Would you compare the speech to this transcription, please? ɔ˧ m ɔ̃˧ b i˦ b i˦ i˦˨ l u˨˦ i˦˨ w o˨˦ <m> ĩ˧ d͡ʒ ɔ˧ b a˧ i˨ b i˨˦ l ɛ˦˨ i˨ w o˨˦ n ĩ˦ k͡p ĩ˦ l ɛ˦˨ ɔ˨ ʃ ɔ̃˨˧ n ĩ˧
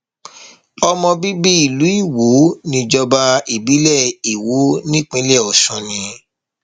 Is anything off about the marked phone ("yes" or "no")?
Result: yes